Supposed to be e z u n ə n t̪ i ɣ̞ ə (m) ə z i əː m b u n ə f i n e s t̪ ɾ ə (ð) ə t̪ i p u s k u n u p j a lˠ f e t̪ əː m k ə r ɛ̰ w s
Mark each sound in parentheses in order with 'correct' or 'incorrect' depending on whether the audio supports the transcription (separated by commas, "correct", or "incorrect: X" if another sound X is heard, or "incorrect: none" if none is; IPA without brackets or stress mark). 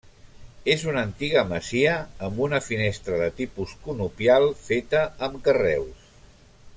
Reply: correct, correct